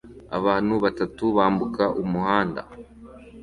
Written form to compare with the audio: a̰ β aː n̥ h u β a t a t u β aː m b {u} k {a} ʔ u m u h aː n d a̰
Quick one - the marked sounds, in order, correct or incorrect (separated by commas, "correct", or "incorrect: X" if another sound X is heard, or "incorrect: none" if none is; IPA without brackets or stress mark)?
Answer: correct, correct